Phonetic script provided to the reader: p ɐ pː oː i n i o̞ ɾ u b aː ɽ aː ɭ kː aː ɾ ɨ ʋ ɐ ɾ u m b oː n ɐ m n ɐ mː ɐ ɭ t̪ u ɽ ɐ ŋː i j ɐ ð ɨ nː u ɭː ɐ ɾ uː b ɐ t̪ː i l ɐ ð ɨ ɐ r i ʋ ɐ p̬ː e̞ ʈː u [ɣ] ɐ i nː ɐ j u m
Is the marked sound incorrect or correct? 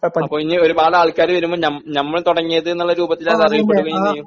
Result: correct